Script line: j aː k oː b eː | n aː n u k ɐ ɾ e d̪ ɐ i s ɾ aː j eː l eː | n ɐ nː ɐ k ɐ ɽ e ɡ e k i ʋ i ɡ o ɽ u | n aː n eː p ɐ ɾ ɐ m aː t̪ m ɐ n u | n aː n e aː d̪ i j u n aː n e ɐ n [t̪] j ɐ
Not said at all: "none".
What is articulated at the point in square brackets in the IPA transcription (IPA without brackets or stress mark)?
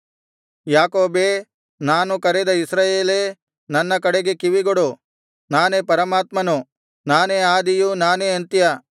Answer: t̪